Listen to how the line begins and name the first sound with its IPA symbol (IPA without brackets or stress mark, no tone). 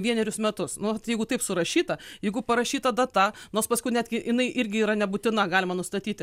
ʋʲ